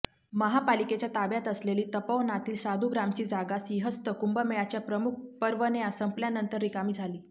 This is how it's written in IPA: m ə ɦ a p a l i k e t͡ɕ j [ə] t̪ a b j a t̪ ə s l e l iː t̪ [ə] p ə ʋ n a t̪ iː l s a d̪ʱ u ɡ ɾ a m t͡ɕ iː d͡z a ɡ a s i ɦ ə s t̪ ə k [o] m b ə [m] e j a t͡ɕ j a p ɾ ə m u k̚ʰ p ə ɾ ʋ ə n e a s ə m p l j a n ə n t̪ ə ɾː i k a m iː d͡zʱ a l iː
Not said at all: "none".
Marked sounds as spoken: a, ə, u, m

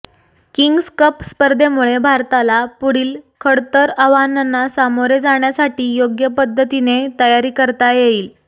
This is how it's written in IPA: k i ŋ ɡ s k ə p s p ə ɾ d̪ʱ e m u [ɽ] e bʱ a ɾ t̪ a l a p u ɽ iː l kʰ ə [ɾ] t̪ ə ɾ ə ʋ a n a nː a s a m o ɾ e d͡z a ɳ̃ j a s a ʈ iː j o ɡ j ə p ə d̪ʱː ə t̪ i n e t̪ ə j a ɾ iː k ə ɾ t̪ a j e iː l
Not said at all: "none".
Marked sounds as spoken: ɭ, ɽ

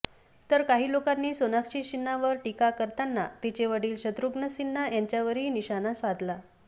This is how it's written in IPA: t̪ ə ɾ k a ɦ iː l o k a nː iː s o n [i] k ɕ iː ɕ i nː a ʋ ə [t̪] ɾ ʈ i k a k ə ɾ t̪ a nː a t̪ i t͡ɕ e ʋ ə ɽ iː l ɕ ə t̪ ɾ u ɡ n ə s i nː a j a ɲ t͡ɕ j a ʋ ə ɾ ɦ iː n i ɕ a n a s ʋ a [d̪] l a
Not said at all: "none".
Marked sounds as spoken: a, none, d̪

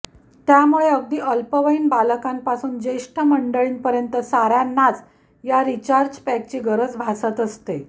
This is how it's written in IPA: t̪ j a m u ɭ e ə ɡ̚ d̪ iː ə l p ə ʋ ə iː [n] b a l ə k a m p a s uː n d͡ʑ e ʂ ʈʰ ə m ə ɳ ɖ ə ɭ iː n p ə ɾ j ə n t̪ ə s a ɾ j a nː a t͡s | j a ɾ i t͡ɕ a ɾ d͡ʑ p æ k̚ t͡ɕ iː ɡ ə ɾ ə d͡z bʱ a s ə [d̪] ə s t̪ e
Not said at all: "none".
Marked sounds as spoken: n, t̪

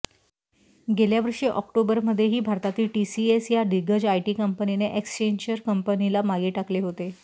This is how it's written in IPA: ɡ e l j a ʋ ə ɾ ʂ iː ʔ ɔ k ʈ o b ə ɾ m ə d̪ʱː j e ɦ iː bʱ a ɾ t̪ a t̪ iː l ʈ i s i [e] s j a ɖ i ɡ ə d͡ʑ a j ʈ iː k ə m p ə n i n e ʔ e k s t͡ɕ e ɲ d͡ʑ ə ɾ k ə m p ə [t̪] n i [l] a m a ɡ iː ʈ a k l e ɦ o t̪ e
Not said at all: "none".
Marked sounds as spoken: e, none, l

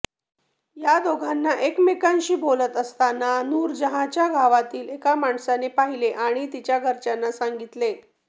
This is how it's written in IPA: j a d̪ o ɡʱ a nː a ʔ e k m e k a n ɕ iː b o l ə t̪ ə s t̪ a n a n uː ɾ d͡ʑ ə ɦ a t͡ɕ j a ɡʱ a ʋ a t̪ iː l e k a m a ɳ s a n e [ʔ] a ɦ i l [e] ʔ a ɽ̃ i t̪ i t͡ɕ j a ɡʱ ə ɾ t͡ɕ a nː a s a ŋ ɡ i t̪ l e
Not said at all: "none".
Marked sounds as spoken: p, e

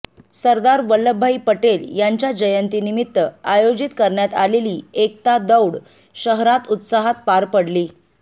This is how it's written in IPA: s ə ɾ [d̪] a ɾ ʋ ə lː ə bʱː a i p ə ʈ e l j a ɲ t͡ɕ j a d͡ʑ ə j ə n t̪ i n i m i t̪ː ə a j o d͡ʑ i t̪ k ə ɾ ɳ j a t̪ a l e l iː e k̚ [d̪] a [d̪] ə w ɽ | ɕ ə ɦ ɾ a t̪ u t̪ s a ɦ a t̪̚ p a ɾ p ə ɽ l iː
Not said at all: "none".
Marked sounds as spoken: d̪, t̪, d̪

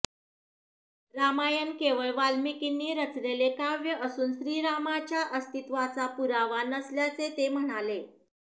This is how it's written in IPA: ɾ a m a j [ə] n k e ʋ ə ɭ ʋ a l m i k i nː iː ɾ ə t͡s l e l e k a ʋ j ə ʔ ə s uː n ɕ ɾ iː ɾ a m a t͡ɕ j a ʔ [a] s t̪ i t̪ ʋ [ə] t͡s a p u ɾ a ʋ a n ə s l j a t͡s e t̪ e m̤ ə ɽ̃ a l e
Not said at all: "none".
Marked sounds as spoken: ə, ə, a

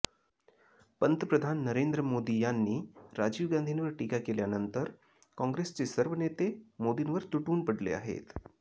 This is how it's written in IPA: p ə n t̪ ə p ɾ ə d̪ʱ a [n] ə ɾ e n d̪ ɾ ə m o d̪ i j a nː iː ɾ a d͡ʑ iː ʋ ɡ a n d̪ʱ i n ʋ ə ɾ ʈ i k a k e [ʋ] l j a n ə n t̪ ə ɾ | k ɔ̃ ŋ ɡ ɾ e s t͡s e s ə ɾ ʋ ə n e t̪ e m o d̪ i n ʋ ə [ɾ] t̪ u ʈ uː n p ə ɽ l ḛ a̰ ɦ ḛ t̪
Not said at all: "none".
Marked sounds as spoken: nː, none, ɾ

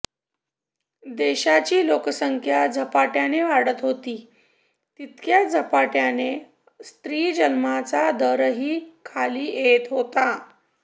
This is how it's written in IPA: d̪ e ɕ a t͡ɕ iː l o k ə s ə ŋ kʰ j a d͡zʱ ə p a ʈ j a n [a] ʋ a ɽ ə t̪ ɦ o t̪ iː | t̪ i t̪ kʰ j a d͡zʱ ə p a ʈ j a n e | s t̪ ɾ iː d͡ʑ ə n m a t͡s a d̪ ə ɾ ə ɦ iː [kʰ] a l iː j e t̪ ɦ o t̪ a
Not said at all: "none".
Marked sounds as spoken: e, kʰ

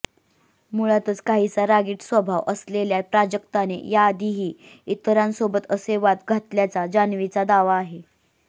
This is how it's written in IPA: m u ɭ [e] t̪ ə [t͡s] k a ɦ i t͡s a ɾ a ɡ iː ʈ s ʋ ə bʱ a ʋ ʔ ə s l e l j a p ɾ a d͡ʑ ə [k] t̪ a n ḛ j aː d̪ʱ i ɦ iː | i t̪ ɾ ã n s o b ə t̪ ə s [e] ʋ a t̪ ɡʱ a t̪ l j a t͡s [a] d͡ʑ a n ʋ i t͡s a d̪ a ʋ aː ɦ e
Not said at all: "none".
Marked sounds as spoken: a, t͡s, k, e, a

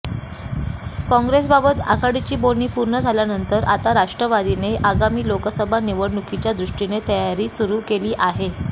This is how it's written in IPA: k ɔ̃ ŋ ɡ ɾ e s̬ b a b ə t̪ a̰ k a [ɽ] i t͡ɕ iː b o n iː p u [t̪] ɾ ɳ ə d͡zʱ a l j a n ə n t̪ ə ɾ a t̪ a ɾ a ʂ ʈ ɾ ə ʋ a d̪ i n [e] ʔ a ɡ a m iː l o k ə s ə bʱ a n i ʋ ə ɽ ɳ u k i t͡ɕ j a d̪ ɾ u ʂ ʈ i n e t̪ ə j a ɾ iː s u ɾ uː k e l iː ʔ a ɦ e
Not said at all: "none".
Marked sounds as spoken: ɽ, none, e

